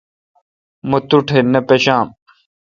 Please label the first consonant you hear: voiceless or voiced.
voiced